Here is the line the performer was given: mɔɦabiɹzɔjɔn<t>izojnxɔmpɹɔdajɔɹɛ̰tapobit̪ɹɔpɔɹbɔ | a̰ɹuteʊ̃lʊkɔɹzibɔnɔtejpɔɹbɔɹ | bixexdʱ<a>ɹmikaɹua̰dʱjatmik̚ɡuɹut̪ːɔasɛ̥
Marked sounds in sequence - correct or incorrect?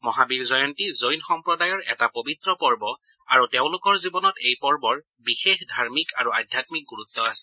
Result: correct, correct

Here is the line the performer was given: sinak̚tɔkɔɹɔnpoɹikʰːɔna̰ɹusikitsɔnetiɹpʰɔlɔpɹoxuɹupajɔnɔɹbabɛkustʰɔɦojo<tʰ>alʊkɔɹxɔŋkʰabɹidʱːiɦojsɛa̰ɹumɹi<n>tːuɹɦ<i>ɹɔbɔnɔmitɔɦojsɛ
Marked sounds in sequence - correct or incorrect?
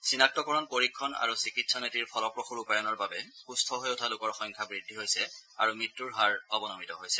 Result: correct, incorrect, incorrect

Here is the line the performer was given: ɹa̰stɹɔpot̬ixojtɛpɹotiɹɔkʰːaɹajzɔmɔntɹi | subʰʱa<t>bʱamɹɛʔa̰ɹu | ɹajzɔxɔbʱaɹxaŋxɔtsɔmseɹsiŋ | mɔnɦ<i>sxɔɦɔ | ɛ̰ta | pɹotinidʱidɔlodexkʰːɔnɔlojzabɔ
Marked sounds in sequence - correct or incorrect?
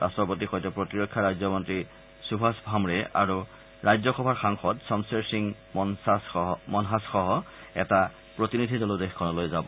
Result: incorrect, incorrect

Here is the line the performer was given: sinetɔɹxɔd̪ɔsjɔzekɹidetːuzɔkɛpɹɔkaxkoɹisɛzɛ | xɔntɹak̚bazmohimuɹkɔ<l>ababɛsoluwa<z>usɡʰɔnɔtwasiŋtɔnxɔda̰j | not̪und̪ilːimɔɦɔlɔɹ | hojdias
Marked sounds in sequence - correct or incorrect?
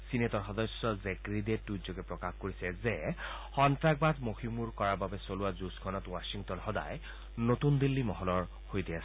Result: incorrect, correct

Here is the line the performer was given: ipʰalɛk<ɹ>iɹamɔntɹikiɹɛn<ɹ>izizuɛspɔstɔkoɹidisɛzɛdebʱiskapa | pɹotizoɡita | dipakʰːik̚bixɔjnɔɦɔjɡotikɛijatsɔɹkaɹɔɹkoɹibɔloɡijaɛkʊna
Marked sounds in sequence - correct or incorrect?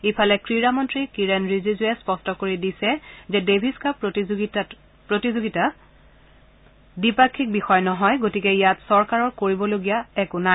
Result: correct, correct

